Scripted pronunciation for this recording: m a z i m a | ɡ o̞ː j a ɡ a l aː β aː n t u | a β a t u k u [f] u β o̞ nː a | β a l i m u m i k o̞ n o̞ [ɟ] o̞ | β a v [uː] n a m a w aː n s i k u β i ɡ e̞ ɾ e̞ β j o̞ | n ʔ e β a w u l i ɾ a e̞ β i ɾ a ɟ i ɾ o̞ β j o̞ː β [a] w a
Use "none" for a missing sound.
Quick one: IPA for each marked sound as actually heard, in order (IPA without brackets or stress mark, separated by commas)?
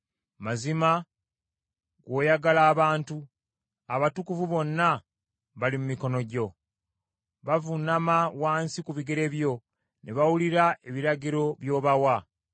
v, ɟ, u, a